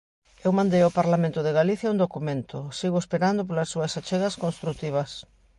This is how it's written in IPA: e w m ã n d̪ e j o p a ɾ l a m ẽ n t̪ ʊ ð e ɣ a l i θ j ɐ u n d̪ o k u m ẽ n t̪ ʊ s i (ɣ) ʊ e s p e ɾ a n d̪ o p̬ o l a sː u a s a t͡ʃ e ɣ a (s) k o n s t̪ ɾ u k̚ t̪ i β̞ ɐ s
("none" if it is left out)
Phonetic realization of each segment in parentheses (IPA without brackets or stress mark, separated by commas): ɣ, s